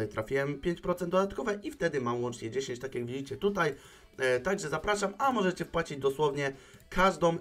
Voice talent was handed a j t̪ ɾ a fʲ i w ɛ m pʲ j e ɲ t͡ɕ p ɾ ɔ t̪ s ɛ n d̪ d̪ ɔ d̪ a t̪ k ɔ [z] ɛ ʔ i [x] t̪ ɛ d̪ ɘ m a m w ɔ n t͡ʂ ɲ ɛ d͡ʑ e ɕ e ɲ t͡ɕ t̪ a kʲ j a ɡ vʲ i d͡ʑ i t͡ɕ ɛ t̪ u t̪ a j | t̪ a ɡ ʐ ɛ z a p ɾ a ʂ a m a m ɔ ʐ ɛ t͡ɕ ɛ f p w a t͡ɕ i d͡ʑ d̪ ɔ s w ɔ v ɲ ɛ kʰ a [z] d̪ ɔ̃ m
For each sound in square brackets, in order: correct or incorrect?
incorrect: v, incorrect: f, incorrect: ʐ

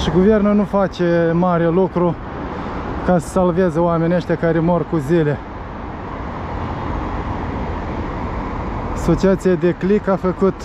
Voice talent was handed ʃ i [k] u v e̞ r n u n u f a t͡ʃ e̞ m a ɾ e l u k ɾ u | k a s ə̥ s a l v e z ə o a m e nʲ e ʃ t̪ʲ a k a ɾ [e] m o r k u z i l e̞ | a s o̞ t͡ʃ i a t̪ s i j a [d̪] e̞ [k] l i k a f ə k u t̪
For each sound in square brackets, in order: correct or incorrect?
incorrect: ɡ, correct, correct, correct

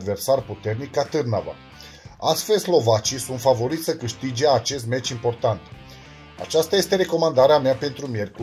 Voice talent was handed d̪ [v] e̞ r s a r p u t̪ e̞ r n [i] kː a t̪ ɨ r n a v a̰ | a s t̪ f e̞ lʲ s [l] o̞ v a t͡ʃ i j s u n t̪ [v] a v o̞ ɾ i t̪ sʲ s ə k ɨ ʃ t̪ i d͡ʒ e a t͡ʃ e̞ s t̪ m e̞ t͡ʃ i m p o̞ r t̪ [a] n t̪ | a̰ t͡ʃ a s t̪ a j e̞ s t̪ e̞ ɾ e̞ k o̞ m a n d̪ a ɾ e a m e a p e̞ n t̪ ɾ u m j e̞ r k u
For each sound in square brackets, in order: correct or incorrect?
correct, correct, correct, incorrect: f, correct

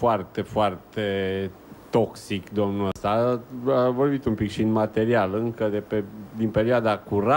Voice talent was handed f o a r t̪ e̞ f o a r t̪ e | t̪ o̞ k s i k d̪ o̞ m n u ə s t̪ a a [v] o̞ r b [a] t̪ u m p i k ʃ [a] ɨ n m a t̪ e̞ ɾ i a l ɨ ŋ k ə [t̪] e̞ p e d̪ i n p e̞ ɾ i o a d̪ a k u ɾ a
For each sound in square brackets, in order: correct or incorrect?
correct, incorrect: i, incorrect: i, incorrect: d̪

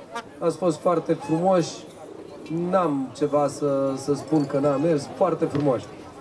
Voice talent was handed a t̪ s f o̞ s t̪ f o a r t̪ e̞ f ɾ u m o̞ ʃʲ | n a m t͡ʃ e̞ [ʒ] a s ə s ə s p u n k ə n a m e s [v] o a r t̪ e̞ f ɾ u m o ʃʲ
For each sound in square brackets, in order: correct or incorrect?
incorrect: v, incorrect: f

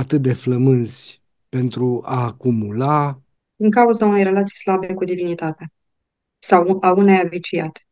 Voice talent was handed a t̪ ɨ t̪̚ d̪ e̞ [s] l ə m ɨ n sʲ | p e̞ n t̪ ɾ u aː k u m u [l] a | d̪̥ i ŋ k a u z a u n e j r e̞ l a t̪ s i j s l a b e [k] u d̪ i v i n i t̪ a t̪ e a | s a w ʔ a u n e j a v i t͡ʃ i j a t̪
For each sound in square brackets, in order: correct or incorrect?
incorrect: f, correct, correct

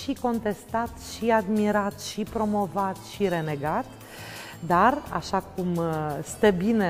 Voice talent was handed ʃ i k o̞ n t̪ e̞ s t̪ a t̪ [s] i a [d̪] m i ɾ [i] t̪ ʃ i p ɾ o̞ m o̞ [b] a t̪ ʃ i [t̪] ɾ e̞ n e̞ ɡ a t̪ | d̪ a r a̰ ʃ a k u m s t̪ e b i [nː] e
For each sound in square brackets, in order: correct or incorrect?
incorrect: ʃ, correct, incorrect: a, incorrect: v, incorrect: none, incorrect: n

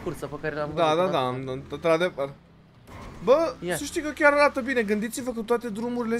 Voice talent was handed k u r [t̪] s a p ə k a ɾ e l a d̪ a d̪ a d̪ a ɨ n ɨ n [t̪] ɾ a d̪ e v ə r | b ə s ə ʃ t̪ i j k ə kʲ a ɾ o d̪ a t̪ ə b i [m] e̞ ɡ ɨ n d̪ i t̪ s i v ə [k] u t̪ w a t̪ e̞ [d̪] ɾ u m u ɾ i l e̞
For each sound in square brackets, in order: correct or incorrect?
correct, correct, incorrect: n, correct, correct

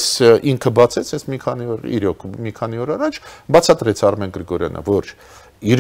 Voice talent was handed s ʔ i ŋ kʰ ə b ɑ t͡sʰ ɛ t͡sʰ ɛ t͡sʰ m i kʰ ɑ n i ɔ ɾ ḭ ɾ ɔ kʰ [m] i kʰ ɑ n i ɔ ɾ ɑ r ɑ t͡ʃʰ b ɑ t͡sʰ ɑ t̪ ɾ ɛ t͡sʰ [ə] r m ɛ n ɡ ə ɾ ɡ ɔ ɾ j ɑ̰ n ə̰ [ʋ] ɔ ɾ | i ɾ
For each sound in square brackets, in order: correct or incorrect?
correct, incorrect: ɑ, incorrect: v

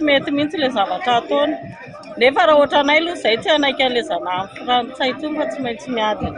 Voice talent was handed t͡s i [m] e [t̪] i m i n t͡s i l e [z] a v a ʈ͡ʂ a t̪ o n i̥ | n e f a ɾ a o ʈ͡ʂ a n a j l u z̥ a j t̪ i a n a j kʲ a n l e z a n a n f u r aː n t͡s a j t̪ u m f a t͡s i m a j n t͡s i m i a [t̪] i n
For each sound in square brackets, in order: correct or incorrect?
correct, correct, correct, incorrect: d̪

